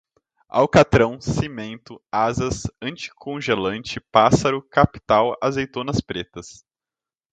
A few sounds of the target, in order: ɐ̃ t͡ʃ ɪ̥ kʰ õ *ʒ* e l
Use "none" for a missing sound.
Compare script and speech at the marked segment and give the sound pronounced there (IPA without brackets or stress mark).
ʒ